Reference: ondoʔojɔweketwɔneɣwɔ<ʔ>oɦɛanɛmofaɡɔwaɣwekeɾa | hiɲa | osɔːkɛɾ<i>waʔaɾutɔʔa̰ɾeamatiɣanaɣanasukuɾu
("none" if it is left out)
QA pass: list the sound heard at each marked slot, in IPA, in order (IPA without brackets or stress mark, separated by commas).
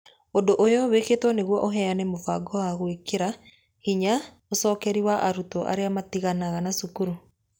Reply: ʔ, i